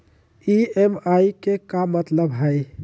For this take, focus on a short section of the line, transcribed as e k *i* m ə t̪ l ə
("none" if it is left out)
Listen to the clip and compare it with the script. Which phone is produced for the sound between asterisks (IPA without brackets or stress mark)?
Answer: a